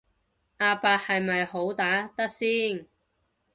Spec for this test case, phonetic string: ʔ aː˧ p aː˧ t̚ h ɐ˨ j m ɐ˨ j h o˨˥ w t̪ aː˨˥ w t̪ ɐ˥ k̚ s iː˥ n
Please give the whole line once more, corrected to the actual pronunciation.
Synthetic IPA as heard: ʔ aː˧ p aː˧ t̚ h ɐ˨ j m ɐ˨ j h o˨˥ w t̪ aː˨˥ t̪ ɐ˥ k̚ s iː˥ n

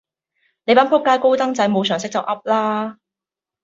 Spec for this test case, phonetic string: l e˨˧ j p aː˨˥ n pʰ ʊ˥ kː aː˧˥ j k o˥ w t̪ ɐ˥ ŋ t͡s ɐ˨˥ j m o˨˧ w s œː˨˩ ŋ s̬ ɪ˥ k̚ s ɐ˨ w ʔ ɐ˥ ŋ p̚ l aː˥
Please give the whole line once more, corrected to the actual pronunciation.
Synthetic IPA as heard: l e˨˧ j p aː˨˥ n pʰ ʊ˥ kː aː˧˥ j k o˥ w t̪ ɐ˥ ŋ t͡s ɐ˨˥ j m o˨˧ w s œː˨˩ ŋ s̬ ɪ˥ k̚ t͡s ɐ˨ w ʔ ɐ˥ p̚ l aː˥

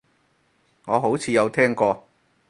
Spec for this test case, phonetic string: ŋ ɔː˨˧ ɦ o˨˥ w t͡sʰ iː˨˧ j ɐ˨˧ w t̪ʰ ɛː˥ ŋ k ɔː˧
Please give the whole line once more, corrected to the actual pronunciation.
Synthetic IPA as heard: ŋ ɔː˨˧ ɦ o˨˥ w t͡sʰ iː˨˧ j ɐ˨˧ w t̪ʰ ɛː˥ ŋ k ɔː˧

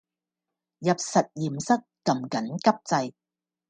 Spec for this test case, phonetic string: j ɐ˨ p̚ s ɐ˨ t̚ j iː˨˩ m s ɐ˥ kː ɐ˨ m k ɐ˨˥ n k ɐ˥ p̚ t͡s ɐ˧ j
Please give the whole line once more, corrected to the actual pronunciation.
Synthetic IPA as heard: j ɐ˨ p̚ s ɐ˨ t̚ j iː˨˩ m s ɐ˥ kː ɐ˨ m k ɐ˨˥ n k ɐ˥ p̚ t͡s ɐ˧ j

